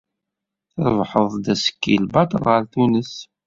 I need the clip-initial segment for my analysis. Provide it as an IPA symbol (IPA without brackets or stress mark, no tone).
θ